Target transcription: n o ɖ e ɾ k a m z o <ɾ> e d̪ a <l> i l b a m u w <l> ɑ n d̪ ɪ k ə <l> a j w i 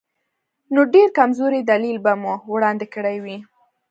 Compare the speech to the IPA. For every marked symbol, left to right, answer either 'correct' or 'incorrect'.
correct, correct, incorrect: ɽ, incorrect: ɽ

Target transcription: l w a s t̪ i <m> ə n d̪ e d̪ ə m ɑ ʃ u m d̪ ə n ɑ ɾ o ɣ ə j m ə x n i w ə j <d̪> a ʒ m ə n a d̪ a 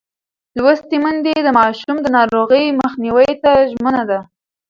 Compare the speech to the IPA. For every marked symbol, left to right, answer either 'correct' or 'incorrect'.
correct, incorrect: t̪

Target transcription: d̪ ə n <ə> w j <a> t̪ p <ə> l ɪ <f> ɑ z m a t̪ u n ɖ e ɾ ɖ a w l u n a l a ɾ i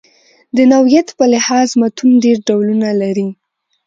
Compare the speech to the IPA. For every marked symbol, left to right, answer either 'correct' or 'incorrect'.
incorrect: a, correct, correct, incorrect: h

